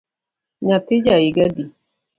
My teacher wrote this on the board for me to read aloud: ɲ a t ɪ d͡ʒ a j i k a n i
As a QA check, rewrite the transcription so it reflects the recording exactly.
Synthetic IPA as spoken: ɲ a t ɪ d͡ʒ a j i ɡ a d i

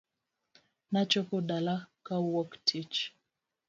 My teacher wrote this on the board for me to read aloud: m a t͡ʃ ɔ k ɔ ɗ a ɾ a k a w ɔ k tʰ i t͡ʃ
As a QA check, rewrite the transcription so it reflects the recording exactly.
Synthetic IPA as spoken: n a t͡ʃ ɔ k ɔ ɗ a l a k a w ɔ k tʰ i t͡ʃ

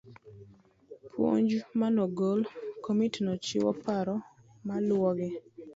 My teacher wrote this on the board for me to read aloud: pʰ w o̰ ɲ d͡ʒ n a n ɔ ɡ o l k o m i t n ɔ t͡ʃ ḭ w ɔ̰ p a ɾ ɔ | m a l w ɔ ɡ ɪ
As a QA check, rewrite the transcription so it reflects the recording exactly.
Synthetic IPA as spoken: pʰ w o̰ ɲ d͡ʒ m a n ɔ ɡ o l k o m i t n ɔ t͡ʃ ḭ w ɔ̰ p a ɾ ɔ | m a l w ɔ ɡ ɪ

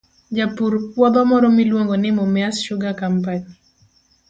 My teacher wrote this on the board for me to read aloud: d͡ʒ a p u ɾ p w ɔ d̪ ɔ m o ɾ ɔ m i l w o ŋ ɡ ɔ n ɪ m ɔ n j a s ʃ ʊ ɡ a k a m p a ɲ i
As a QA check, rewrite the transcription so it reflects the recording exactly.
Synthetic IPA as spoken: d͡ʒ a p u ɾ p w ɔ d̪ ɔ m ɔ ɾ ɔ m i l w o ŋ ɡ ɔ n ɪ m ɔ m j a s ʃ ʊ ɡ a k a m p a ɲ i

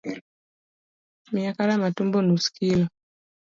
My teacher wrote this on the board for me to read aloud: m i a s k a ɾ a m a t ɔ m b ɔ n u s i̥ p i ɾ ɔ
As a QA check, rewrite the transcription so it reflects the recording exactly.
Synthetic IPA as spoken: m i a k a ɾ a m a t u m b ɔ n u s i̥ k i l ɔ

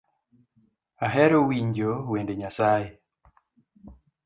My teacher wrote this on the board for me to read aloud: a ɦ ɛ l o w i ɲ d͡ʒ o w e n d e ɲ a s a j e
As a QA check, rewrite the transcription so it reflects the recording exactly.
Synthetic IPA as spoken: a ɦ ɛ ɾ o w i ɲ d͡ʒ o w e n d e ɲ a s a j e

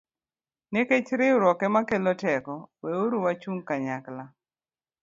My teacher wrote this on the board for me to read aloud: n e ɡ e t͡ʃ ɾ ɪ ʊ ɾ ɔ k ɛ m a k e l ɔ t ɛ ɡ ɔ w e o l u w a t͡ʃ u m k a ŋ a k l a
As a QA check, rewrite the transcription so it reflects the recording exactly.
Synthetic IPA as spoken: n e k e t͡ʃ ɾ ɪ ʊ ɾ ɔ k ɛ m a k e l ɔ t ɛ k ɔ w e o ɾ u w a t͡ʃ u ŋ k a ɲ a k l a

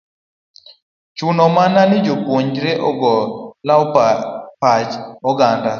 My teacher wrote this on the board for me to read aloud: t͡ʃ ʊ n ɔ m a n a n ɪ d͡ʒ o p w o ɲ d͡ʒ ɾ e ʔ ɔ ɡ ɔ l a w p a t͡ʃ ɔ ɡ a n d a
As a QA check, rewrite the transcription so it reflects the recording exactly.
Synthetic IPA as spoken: t͡ʃ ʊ n ɔ m a n a n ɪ d͡ʒ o p w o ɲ d͡ʒ ɾ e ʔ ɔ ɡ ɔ l a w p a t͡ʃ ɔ ɡ a n d a

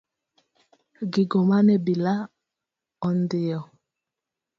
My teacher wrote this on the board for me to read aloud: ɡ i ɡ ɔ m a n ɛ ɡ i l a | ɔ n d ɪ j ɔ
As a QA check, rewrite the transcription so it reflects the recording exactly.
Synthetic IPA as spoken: ɡ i ɡ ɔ m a n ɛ b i l a | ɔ n d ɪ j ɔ

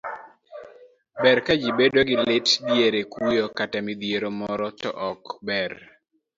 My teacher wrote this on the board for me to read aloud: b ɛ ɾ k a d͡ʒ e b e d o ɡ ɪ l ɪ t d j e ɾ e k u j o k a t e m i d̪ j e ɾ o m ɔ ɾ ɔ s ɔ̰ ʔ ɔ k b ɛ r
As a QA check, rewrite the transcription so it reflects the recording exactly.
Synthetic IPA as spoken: b ɛ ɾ k a d͡ʒ i b e d o ɡ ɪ l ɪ t d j e ɾ e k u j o k a t a m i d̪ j e ɾ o m ɔ ɾ ɔ t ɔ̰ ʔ ɔ k b ɛ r

